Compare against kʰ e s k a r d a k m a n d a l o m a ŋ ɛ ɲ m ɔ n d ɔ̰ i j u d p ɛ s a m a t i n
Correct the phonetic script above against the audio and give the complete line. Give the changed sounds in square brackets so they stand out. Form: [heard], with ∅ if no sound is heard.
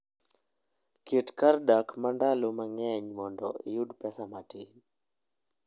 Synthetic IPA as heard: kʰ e [t] k a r d a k m a n d a l o m a ŋ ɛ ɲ m ɔ n d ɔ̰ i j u d p ɛ s a m a t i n